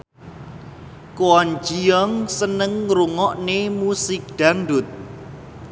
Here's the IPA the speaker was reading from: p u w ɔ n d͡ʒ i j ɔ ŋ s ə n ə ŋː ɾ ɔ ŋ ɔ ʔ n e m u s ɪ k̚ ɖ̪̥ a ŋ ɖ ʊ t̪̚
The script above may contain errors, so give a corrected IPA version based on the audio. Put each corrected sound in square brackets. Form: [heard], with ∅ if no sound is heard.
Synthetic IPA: [k] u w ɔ n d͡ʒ i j ɔ ŋ s ə n ə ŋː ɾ [u] ŋ ɔ ʔ n e m u s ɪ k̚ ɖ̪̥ a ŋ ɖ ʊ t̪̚